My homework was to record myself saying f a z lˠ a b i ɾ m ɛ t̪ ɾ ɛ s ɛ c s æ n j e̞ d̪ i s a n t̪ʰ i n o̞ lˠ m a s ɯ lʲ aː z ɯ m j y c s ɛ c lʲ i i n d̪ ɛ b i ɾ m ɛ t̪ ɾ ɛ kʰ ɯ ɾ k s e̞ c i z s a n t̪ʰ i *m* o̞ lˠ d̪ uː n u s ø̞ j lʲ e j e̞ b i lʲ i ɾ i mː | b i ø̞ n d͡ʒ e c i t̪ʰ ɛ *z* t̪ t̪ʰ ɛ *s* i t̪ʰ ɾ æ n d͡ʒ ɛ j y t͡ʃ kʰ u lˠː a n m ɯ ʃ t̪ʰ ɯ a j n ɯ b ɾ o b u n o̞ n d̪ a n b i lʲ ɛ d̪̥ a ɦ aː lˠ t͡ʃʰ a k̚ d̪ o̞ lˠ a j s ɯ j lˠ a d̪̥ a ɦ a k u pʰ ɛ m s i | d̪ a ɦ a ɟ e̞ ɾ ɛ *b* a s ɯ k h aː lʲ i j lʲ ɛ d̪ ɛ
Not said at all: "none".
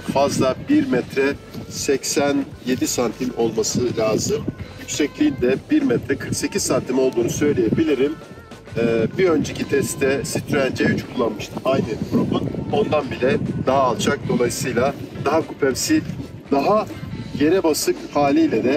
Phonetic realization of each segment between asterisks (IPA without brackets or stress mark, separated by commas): m, s, s, b